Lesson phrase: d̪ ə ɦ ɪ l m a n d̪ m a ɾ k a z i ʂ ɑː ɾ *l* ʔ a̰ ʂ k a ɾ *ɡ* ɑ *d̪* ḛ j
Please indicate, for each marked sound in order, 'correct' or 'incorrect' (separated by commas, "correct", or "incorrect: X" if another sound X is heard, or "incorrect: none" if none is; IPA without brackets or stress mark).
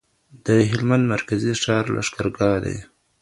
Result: correct, correct, correct